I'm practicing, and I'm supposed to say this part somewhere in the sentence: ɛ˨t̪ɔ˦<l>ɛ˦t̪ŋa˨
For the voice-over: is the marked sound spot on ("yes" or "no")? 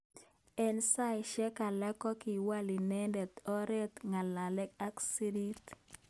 no